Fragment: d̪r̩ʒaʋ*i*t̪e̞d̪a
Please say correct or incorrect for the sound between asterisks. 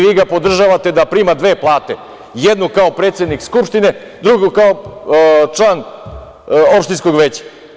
incorrect